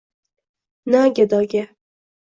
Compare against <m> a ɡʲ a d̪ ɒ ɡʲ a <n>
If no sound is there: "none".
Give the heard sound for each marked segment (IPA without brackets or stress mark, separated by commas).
n, none